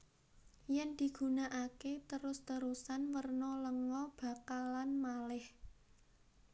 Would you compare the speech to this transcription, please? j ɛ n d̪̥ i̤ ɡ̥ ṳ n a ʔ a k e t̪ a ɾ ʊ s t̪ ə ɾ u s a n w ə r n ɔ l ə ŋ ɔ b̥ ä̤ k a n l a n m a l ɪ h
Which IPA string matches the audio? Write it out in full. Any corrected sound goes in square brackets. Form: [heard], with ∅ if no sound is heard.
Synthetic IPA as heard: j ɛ n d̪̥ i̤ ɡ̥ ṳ n a ʔ a k e t̪ [ə] ɾ ʊ s t̪ ə ɾ u s a n w ə r n ɔ l ə ŋ ɔ b̥ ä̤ k a [∅] l a n m a l ɪ h